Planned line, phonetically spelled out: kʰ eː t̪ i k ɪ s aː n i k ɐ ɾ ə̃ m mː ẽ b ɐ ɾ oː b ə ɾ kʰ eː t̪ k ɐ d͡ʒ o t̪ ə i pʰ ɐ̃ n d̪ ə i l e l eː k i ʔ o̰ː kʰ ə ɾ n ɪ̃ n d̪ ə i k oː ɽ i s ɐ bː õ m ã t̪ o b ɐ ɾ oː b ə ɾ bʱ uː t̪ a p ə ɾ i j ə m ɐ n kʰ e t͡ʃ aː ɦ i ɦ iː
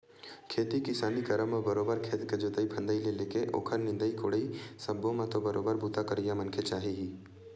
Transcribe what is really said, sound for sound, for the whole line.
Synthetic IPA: kʰ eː t̪ i k ɪ s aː n i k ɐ ɾ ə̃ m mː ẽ b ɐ ɾ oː b ə ɾ kʰ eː t̪ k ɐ d͡ʒ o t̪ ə i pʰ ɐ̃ n d̪ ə i l e l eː k e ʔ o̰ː kʰ ə ɾ n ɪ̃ n d̪ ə i k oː ɽ i s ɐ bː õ m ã t̪ o b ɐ ɾ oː b ə ɾ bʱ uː t̪ a k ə ɾ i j a m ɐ n kʰ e t͡ʃ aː ɦ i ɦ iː